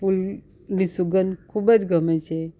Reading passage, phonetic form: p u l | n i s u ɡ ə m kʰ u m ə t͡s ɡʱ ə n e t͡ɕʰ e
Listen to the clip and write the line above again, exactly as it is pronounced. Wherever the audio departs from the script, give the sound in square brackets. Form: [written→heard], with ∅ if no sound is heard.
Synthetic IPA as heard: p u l | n i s u ɡ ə [m→n] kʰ u [m→b] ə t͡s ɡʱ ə [n→m] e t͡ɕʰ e

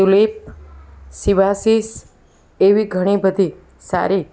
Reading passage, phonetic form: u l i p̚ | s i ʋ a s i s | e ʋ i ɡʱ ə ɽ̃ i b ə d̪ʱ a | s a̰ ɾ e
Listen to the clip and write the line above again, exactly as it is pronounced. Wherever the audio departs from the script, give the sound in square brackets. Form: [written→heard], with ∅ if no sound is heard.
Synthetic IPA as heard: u l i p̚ | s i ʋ a s i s | e ʋ i ɡʱ ə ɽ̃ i b ə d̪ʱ [a→i] | s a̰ ɾ [e→i]

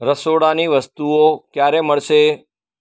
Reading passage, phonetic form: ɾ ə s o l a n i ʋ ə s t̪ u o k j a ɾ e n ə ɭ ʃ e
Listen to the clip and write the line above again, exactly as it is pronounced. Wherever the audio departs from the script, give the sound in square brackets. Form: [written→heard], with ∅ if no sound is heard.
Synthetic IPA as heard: ɾ ə s o [l→ɽ] a n i ʋ ə s t̪ u o k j a ɾ e [n→m] ə ɭ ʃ e

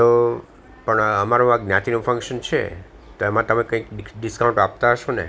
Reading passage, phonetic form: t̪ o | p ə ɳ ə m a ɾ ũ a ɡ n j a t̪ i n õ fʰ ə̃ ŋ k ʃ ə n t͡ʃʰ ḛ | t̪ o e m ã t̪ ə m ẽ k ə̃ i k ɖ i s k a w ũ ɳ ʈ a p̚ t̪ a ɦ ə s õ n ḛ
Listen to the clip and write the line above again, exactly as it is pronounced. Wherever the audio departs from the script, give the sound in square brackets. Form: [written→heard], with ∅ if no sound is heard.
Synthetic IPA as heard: t̪ o | p ə ɳ ə m a ɾ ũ a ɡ n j a t̪ i n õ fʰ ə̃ ŋ k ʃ ə n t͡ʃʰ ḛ | t̪ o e m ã t̪ ə m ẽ k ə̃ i k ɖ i s k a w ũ ɳ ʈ a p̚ t̪ a ɦ ə [s→ʃ] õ n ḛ

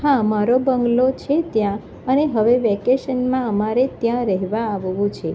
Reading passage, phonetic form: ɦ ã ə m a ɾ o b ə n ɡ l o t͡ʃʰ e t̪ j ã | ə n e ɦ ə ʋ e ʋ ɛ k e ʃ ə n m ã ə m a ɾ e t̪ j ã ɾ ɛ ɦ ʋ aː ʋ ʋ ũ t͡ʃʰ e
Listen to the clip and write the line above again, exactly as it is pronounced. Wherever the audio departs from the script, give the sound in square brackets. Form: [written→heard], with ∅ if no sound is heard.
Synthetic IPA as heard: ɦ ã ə m a ɾ o b ə [n→ŋ] ɡ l o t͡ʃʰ e t̪ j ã | ə n e ɦ ə ʋ e ʋ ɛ k e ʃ ə n m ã ə m a ɾ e t̪ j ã ɾ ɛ ɦ ʋ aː ʋ ʋ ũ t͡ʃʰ e

